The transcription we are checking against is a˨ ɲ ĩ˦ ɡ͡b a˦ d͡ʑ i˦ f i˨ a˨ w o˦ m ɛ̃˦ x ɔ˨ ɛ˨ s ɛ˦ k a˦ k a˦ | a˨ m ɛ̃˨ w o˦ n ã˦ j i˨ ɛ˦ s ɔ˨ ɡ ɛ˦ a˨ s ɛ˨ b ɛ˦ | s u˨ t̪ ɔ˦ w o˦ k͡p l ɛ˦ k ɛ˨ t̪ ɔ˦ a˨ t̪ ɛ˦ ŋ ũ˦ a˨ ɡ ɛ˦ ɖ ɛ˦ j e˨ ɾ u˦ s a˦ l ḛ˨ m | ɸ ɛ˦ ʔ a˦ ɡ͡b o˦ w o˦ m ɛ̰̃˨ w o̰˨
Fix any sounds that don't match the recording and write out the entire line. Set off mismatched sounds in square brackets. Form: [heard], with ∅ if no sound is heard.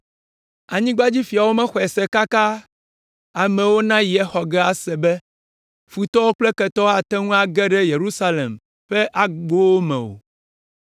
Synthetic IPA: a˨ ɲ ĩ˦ ɡ͡b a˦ d͡ʑ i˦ f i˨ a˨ w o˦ m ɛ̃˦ x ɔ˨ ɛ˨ s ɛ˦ k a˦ k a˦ | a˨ m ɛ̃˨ w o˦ n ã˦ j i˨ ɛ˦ [x] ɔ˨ ɡ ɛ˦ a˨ s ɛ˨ b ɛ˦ | [f] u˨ t̪ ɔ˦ w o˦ k͡p l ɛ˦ k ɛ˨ t̪ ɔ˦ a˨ t̪ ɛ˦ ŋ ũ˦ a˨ ɡ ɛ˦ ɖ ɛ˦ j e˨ ɾ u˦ s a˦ l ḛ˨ m | ɸ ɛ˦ ʔ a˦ ɡ͡b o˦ w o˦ m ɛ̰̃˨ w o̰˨